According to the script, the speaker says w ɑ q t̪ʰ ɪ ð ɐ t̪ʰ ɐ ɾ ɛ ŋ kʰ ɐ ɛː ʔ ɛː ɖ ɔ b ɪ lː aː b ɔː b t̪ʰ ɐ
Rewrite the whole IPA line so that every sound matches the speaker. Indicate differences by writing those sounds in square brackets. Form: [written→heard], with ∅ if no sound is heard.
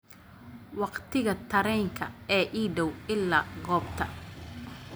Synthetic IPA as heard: w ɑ q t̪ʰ ɪ [ð→ɣ] ɐ t̪ʰ ɐ ɾ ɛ ŋ kʰ ɐ ɛː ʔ [ɛː→iː] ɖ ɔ [b→w] ɪ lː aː [b→ɡ] ɔː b t̪ʰ ɐ